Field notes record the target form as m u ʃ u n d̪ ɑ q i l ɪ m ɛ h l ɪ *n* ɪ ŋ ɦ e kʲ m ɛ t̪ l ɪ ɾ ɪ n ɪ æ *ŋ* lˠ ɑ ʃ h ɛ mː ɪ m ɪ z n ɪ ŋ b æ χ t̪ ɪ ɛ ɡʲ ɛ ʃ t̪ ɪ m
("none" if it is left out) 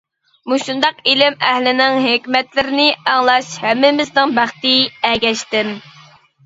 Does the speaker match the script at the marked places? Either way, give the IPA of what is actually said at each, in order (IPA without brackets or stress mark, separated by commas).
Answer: n, ŋ